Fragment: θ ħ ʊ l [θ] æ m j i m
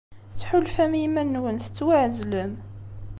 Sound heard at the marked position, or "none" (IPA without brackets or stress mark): f